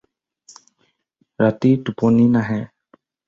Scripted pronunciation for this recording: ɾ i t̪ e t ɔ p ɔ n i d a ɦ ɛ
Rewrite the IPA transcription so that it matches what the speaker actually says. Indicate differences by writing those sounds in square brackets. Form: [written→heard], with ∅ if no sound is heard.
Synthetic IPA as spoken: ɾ [i→a] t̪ [e→i] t [ɔ→u] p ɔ n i [d→n] a ɦ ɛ